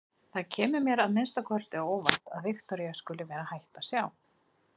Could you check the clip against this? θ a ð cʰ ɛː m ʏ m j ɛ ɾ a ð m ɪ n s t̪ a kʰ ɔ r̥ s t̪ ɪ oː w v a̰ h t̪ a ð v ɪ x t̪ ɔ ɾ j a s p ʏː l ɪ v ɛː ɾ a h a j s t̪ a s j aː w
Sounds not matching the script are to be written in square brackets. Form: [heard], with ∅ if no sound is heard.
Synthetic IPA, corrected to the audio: θ a ð cʰ ɛː m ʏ m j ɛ ɾ a ð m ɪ n s t̪ a kʰ ɔ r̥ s t̪ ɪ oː w v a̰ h t̪ a ð v ɪ x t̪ ɔ ɾ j a s [k] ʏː l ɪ v ɛː ɾ a h a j [h] t̪ a s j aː w